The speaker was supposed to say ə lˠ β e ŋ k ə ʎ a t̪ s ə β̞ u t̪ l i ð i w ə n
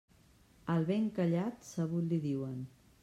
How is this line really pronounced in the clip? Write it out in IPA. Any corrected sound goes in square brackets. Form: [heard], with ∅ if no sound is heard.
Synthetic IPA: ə lˠ β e ŋ k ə ʎ a t̪ s ə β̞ u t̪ l i ð i w ə n